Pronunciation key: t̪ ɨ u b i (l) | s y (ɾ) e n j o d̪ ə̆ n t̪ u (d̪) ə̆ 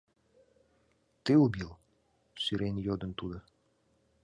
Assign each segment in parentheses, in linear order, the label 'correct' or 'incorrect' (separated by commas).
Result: correct, correct, correct